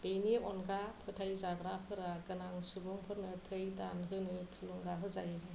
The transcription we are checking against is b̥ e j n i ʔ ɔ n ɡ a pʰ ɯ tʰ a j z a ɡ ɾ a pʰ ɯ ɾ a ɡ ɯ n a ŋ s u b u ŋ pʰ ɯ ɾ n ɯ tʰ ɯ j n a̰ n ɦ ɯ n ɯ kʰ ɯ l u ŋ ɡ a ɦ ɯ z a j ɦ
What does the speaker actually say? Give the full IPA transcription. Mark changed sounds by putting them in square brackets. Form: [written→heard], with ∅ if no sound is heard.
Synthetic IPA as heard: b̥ e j n i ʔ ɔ n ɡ a pʰ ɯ tʰ a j z a ɡ ɾ a pʰ ɯ ɾ a ɡ ɯ n a ŋ s u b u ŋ pʰ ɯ ɾ n ɯ tʰ ɯ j [n→d] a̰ n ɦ ɯ n ɯ [kʰ→tʰ] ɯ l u ŋ ɡ a ɦ ɯ z a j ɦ